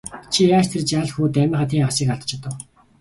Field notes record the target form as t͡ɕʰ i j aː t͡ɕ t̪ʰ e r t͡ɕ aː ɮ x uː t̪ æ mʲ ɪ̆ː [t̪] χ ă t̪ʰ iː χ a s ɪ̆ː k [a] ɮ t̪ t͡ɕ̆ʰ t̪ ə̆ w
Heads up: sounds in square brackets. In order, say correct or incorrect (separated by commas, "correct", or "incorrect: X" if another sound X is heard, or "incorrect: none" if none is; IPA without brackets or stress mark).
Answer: incorrect: none, correct